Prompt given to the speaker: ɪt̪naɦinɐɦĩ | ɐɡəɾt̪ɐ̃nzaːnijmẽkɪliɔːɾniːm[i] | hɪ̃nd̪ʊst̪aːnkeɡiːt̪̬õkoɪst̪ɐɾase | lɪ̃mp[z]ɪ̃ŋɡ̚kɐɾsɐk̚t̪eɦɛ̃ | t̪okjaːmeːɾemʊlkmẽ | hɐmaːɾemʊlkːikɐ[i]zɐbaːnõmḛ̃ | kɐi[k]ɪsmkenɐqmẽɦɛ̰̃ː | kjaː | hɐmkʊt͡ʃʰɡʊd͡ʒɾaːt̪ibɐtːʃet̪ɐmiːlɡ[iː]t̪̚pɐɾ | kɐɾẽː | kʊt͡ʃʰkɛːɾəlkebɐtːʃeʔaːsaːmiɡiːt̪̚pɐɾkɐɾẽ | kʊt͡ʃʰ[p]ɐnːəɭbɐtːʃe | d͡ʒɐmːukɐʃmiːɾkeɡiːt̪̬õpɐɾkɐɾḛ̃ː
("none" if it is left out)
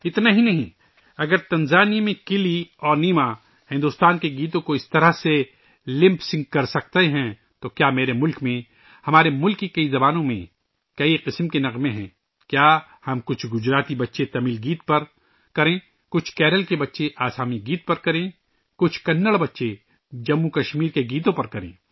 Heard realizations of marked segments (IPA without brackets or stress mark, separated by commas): a, s, i, q, iː, k